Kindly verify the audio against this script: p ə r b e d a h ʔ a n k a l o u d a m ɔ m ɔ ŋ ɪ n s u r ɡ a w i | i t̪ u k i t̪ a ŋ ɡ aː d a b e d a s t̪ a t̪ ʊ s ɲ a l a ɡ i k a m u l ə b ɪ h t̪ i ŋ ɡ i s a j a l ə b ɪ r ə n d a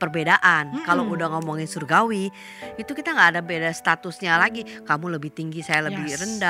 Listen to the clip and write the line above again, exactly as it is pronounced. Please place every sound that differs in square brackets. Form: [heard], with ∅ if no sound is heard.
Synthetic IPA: p ə r b e d a [∅] ʔ a n k a l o u d a [ŋ] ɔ m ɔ ŋ ɪ n s u r ɡ a w i | i t̪ u k i t̪ a ŋ ɡ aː d a b e d a s t̪ a t̪ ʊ s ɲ a l a ɡ i k a m u l ə b ɪ h t̪ i ŋ ɡ i s a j a l ə b ɪ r ə n d a